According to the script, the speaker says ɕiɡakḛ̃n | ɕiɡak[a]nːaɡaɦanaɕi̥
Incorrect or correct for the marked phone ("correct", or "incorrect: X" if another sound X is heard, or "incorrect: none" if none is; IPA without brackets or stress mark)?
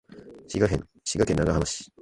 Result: incorrect: e